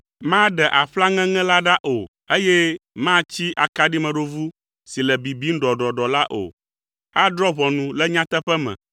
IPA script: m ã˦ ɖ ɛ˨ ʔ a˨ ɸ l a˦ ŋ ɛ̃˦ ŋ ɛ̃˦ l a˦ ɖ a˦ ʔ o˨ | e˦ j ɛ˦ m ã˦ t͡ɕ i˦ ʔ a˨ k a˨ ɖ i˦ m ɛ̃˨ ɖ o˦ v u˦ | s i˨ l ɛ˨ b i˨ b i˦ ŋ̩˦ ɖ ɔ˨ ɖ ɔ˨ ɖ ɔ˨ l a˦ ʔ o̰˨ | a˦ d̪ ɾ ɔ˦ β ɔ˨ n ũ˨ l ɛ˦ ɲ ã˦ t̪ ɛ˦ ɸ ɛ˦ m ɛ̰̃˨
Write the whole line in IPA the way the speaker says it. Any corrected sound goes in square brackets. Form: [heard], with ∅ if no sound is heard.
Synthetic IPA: m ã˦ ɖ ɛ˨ ʔ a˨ ɸ l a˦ ŋ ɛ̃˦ ŋ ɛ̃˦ l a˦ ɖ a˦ ʔ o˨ | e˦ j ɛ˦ m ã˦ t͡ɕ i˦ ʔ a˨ k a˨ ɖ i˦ m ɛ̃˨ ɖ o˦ v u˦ | s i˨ l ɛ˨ b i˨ b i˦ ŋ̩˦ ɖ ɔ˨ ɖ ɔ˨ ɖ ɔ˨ l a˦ ʔ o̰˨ | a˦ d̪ ɾ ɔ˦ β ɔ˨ n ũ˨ l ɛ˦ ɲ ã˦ t̪ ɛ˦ ɸ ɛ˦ m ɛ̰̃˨